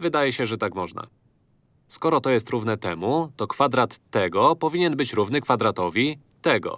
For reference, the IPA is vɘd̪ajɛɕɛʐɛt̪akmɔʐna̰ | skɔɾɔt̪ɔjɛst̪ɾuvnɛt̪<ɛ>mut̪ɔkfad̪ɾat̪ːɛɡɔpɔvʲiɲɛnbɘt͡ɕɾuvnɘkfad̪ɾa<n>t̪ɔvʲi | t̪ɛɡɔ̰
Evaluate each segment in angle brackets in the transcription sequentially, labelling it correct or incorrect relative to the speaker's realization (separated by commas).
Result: correct, incorrect